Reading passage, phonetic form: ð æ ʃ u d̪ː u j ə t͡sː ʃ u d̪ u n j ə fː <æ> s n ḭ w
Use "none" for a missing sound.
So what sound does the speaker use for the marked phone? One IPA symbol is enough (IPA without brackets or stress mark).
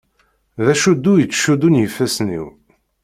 æ